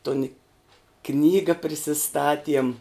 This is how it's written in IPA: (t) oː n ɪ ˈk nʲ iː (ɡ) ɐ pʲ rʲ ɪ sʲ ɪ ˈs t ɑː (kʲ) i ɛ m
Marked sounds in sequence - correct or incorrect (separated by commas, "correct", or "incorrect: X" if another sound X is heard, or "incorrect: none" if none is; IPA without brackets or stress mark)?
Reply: correct, correct, incorrect: tʲ